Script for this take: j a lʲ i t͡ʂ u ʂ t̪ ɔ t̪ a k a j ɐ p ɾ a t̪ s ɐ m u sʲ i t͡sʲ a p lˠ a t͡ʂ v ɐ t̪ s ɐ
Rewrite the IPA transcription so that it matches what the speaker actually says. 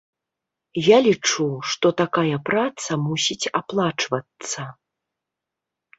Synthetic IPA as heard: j a lʲ i t͡ʂ u ʂ t̪ ɔ t̪ a k a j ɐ p ɾ a t̪ s ɐ m u sʲ i t͡sʲ a p lˠ a t͡ʂ v ɐ t̪ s ɐ